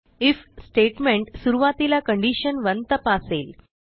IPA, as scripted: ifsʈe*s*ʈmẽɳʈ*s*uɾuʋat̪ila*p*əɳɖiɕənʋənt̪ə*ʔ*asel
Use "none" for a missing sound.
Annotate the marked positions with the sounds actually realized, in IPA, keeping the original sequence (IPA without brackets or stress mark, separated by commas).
none, s, k, p